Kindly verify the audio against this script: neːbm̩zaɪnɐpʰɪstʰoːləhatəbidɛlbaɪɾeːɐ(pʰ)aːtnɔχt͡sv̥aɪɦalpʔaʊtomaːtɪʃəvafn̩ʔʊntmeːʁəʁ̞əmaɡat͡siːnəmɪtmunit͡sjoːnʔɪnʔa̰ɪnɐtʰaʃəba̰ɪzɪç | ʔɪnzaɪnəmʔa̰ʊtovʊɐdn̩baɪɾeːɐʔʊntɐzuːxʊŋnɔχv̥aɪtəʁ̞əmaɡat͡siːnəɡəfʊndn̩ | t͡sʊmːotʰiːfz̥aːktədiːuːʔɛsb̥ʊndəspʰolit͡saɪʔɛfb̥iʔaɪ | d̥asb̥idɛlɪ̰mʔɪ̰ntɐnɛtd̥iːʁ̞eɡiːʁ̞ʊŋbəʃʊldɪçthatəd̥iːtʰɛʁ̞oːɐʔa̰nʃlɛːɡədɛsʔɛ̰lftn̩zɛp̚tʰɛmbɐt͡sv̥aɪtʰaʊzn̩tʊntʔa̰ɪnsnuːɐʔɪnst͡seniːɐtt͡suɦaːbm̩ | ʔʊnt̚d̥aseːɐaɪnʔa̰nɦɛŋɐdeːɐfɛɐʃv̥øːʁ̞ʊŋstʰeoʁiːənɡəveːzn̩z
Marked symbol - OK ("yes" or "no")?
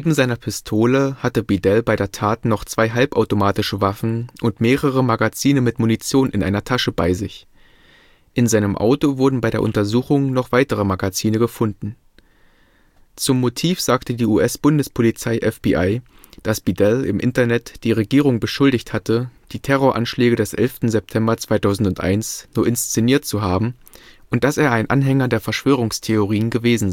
no